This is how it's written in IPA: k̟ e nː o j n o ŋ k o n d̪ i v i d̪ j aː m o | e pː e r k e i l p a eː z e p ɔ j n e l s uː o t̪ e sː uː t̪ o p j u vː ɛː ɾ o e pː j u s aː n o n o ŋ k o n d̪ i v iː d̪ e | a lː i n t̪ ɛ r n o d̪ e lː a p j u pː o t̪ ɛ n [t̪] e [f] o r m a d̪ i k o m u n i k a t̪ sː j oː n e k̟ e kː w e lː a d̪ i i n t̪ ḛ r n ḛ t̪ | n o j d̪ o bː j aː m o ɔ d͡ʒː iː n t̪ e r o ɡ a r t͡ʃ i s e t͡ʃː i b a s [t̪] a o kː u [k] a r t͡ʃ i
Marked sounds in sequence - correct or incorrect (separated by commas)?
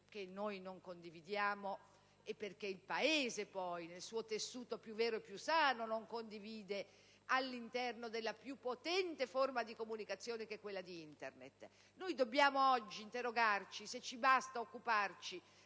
correct, correct, correct, incorrect